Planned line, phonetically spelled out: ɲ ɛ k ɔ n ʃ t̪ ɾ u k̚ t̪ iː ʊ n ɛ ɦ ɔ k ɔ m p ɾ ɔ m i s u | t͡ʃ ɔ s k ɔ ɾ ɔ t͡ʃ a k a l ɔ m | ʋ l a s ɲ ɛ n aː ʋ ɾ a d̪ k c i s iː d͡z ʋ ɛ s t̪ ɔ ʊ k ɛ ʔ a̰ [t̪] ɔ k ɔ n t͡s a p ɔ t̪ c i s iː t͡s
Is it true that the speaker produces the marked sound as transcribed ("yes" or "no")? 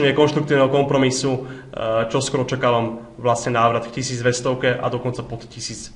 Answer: no